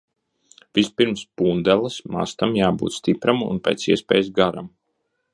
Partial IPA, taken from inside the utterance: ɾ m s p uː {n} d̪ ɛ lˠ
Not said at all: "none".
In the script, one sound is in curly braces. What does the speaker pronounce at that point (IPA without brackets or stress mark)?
n